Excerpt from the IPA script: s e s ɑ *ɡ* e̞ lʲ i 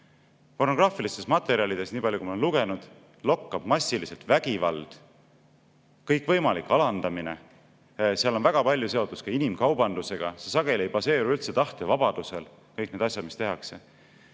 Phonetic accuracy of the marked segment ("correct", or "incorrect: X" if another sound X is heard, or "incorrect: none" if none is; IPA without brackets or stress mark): correct